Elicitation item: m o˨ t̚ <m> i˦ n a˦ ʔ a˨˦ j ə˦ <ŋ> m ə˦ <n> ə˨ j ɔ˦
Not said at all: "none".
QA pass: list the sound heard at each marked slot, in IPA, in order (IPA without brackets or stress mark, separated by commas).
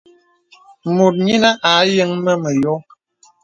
ɲ, ŋ, m